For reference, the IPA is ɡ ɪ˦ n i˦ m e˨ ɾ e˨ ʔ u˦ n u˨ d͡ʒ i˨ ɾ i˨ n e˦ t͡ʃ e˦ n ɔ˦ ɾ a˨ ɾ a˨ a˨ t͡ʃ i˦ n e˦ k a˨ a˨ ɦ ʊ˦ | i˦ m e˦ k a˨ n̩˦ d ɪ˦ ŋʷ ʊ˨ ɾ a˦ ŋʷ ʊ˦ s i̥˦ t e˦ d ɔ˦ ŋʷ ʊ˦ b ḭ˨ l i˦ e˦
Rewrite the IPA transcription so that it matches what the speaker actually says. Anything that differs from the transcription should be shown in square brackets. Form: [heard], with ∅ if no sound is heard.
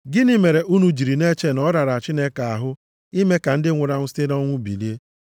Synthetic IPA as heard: ɡ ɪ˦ n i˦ m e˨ ɾ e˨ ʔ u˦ n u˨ d͡ʒ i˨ ɾ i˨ n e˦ t͡ʃ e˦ n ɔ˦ ɾ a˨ ɾ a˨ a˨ t͡ʃ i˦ n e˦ k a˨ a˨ ɦ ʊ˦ | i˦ m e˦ k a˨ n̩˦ d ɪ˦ ŋʷ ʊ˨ ɾ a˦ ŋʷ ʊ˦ s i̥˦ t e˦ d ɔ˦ ŋʷ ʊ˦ b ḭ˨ l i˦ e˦

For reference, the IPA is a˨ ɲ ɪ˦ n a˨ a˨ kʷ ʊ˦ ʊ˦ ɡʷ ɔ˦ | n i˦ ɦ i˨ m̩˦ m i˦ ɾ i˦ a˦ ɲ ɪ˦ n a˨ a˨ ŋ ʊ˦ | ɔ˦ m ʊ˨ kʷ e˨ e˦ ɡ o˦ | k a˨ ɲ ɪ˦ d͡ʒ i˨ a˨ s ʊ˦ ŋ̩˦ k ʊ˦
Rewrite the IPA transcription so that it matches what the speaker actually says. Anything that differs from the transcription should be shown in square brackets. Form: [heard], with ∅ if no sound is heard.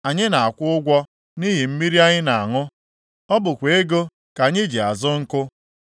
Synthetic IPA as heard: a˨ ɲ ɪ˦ n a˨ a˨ kʷ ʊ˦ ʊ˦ ɡʷ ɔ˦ | n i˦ ɦ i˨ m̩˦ m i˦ ɾ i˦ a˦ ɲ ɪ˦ n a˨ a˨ ŋ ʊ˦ | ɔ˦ [b] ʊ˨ kʷ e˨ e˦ ɡ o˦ | k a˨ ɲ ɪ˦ d͡ʒ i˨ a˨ [z] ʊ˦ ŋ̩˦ k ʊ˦

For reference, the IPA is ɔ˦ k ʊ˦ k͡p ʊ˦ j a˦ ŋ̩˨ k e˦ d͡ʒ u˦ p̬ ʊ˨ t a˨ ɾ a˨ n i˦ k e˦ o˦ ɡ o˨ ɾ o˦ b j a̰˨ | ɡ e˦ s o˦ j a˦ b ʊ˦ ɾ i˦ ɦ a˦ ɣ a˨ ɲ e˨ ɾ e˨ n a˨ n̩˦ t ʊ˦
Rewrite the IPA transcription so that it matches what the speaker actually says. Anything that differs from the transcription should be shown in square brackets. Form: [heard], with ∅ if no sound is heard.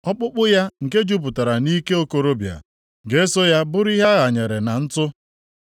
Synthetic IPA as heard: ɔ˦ [k͡p] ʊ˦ k͡p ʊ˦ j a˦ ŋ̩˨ k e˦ d͡ʒ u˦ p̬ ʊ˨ t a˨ ɾ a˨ n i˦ k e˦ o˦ [k] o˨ ɾ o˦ b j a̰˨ | ɡ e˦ s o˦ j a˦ b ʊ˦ ɾ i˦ ɦ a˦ ɣ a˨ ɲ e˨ ɾ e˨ n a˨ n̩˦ t ʊ˦

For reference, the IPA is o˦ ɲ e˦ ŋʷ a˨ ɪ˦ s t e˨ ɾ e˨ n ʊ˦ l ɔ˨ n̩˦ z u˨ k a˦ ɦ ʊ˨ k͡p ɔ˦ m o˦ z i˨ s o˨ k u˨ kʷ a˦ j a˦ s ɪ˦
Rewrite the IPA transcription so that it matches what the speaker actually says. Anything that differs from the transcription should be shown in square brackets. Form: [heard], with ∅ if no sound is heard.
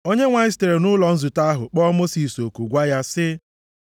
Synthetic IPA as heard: o˦ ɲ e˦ ŋʷ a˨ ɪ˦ s t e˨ ɾ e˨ n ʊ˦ l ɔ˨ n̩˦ z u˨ [t] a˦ ɦ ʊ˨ k͡p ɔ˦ m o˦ [s] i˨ s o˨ k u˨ [ɡʷ] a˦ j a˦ s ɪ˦

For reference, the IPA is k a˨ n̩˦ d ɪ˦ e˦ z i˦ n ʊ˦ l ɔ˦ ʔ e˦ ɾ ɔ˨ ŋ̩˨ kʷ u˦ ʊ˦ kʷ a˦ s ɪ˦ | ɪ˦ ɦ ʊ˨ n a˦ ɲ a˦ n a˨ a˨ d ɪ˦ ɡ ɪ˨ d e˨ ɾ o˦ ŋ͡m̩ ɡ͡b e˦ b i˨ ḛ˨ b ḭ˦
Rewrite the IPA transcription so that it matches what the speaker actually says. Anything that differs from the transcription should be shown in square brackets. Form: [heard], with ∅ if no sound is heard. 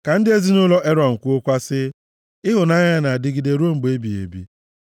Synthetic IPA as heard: k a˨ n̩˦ d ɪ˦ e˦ z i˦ n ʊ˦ l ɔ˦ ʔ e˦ ɾ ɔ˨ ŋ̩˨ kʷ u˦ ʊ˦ kʷ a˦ s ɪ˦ | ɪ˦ ɦ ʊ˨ n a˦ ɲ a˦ n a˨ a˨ d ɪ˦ ɡ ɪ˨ d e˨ ɾ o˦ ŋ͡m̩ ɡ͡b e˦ b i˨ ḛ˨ b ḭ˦

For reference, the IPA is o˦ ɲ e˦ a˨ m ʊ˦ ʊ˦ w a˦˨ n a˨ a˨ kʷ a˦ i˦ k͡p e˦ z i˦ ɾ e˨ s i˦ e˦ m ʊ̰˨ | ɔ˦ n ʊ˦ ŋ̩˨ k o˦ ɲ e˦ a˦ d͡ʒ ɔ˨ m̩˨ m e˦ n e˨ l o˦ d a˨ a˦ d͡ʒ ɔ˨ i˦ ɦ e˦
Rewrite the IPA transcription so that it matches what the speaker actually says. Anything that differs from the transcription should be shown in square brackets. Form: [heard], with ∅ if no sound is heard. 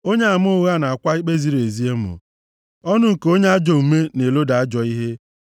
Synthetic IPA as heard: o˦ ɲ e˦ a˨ m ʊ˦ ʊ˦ [ɣ] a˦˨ n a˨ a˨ kʷ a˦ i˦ k͡p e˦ z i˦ ɾ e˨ [z] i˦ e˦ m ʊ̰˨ | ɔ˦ n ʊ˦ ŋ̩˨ k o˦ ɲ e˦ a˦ d͡ʒ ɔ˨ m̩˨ m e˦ n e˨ l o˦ d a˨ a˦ d͡ʒ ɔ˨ i˦ ɦ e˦

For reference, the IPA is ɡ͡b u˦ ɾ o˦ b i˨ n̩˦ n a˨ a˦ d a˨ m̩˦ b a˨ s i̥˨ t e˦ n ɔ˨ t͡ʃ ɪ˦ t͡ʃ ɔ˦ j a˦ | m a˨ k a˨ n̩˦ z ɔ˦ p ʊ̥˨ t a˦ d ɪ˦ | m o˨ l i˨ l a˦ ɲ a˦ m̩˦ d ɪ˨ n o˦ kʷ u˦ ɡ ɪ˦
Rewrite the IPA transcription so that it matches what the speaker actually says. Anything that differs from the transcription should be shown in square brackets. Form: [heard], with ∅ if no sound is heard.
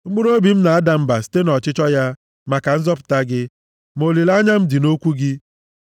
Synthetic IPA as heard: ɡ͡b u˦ ɾ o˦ b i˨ [m̩˦] n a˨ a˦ d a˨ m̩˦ b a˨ s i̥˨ t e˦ n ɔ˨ t͡ʃ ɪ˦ t͡ʃ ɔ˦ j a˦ | m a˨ k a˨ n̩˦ z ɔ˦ p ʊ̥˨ t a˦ [ɡ] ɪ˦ | m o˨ l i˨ l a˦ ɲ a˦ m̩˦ d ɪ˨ n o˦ kʷ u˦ ɡ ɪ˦

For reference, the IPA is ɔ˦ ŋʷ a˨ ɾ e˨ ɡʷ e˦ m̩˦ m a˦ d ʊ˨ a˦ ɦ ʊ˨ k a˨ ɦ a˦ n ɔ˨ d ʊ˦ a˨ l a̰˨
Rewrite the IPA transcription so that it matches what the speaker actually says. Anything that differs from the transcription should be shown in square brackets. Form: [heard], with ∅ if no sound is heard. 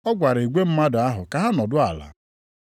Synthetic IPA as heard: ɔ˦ [ɡʷ] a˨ ɾ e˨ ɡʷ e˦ m̩˦ m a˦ d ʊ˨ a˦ ɦ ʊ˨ k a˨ ɦ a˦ n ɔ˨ d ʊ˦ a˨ l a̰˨

